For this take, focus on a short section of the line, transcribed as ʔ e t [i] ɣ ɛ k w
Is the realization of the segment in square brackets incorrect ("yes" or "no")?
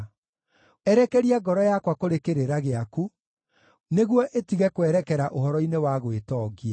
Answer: no